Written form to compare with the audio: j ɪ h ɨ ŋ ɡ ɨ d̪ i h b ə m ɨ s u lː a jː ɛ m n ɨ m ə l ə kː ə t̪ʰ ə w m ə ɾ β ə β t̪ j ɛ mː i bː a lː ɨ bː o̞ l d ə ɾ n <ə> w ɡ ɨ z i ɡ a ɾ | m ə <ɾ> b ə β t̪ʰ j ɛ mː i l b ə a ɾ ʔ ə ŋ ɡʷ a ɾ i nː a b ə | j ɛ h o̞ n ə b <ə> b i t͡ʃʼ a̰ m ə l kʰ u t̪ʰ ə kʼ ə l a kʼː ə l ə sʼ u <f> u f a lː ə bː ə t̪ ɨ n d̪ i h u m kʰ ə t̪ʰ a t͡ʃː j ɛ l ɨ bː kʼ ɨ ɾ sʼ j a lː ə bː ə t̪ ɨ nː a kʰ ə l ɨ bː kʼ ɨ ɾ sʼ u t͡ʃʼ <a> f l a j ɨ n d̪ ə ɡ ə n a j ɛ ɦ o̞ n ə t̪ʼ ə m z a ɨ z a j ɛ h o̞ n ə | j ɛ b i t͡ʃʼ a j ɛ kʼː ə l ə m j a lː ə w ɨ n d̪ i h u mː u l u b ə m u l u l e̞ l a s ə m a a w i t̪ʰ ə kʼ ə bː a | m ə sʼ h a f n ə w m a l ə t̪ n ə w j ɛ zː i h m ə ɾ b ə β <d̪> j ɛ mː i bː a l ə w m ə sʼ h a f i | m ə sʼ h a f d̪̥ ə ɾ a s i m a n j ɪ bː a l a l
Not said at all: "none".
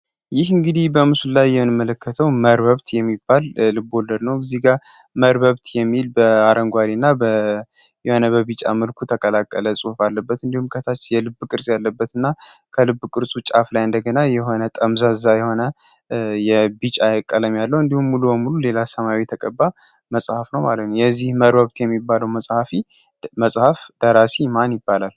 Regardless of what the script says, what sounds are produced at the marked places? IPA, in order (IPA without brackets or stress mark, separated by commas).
ə, ɾ, ə, h, a, t̪